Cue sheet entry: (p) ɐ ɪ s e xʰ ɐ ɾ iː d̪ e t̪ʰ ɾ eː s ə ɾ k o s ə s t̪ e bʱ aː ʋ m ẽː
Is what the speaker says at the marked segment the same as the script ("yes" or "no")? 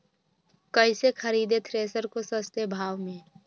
no